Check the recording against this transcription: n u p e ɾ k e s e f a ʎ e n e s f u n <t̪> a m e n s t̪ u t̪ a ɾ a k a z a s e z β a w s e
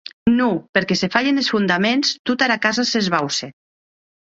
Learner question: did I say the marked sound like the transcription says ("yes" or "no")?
no